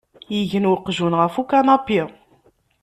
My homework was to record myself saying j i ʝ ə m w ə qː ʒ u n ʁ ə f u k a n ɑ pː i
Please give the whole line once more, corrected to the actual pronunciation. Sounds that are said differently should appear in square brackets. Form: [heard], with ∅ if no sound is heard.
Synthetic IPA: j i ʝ ə [n] w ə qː ʒ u n ʁ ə f u k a n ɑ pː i

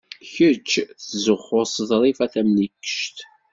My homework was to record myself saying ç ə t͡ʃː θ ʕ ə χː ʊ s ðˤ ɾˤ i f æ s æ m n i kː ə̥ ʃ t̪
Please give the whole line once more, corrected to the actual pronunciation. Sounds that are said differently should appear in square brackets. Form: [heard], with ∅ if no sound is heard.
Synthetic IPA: ç ə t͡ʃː θ [z] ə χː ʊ s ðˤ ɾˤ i f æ [θ] æ m n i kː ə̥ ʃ t̪

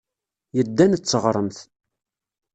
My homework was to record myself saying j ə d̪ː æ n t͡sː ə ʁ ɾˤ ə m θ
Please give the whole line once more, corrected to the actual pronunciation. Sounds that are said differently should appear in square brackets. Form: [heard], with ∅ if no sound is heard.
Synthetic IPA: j ə d̪ː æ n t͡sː ə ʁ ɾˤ ə m θ

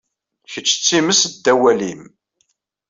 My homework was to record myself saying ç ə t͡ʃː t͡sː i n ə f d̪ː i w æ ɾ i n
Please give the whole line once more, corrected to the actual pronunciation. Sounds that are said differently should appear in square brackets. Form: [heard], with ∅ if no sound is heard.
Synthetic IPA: ç ə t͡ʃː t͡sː i [m] ə [s] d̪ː [æ] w æ [l] i [m]

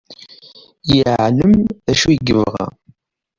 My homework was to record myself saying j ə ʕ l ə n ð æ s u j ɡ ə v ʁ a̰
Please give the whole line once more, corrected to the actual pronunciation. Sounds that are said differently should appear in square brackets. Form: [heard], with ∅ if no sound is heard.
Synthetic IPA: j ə ʕ l ə [m] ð æ [ʃ] u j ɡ ə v ʁ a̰

